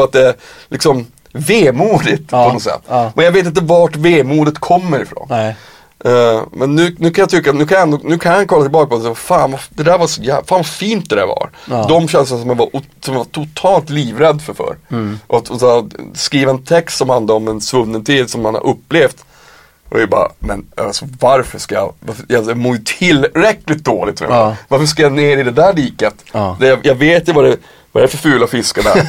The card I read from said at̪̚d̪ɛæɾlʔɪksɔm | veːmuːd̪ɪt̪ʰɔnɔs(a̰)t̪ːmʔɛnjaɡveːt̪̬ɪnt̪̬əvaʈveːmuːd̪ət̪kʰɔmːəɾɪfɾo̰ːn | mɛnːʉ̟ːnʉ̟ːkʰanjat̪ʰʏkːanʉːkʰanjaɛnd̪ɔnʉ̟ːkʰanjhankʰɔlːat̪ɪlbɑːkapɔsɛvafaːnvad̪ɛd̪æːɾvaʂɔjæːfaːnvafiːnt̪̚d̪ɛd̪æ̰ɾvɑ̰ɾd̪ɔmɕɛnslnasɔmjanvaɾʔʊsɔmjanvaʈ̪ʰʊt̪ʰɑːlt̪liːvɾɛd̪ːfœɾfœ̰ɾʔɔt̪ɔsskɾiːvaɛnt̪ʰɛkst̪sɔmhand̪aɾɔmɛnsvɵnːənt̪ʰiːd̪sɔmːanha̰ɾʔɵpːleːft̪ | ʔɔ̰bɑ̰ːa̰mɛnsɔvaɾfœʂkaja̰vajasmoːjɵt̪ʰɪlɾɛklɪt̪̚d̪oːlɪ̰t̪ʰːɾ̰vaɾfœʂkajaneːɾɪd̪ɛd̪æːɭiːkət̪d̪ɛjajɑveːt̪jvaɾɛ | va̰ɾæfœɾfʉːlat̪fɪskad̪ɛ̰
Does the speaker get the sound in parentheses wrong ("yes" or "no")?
yes